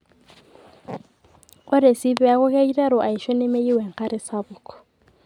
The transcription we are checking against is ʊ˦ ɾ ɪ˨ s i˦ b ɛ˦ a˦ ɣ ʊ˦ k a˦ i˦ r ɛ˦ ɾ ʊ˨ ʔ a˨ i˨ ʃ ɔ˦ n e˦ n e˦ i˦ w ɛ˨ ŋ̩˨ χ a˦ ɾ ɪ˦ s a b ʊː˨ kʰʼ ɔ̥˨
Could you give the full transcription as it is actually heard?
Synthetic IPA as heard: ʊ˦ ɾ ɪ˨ s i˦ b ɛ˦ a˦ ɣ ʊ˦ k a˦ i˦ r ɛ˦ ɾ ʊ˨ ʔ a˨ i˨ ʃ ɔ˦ n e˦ m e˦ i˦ w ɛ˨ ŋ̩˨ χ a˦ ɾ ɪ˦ s a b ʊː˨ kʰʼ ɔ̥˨